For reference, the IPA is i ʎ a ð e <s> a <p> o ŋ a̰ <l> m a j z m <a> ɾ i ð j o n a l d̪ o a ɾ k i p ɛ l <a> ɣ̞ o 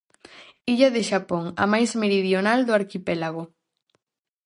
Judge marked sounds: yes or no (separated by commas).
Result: no, yes, no, no, yes